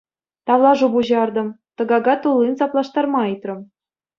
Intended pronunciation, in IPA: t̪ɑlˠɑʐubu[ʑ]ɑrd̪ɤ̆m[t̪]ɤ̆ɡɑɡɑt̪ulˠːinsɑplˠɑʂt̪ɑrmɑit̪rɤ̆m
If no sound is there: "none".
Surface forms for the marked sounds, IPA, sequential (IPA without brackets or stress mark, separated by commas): ʑ, t̪